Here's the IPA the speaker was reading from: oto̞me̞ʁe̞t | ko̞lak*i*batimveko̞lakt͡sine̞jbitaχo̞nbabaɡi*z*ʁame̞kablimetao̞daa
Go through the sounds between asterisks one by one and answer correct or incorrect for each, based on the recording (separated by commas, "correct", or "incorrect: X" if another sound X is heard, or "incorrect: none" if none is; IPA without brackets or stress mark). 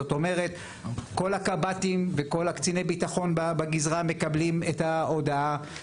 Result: incorrect: a, correct